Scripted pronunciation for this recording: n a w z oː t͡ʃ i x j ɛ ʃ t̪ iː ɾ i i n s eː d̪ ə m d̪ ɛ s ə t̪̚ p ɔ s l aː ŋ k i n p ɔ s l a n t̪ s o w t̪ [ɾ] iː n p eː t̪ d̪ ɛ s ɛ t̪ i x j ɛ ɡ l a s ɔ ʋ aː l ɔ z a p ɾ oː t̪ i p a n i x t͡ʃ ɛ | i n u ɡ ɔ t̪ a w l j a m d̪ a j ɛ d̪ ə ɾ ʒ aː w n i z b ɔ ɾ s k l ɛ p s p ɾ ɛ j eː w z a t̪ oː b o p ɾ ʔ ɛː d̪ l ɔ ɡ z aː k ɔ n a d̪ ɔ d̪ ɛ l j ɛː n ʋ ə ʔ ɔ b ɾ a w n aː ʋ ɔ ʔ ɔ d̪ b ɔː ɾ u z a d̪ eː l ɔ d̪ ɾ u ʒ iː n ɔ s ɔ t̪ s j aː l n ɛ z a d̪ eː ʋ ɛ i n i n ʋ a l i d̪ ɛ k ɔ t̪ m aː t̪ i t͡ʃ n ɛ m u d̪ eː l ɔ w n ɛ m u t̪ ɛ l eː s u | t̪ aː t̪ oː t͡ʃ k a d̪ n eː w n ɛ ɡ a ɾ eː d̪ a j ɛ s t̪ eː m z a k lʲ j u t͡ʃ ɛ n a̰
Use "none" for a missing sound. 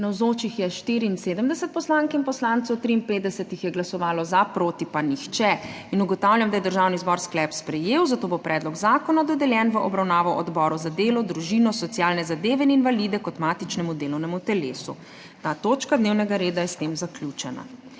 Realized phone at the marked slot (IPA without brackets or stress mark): ɾ